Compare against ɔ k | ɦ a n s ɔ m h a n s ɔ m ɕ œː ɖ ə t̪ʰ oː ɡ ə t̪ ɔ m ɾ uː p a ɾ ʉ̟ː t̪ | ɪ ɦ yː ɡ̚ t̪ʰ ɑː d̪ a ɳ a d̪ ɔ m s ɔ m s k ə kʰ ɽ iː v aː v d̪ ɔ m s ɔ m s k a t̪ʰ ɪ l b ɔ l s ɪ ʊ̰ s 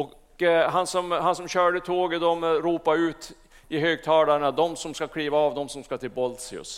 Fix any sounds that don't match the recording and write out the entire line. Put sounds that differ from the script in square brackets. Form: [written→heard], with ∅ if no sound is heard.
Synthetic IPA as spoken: ɔ k | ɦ a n s ɔ m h a n s ɔ m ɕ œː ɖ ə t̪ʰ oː ɡ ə [t̪→d̪] ɔ m ɾ uː p a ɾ ʉ̟ː t̪ | ɪ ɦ [yː→øː] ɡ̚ t̪ʰ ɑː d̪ a ɳ a d̪ ɔ m s ɔ m s k [ə→a] kʰ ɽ iː v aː v d̪ ɔ m s ɔ m s k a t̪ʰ ɪ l b ɔ l s ɪ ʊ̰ s